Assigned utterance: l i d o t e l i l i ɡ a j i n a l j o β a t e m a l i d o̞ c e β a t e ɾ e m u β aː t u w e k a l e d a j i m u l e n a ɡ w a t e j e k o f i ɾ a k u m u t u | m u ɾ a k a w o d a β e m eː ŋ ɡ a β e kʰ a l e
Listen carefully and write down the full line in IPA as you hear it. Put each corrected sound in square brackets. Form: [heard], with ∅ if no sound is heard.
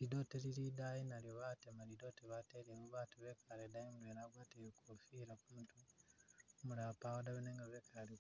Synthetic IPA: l i d o t e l i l i [d] a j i n a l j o β a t e m a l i d o̞ [t] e β a t e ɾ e m u β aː t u [β] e k a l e d a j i m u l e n a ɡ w a t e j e k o f i ɾ a k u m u t u | m u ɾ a [p] a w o d a β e [n] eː ŋ ɡ a β e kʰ a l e